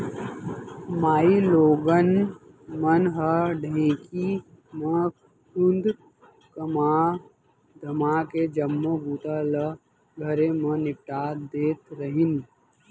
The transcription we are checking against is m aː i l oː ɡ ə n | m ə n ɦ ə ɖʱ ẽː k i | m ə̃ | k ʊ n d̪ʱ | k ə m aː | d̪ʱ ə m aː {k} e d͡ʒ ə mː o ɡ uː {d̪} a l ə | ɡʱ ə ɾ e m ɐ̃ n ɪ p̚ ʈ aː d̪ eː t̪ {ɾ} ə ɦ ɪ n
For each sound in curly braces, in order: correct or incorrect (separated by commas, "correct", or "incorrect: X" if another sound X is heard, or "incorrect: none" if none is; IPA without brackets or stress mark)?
correct, incorrect: t̪, correct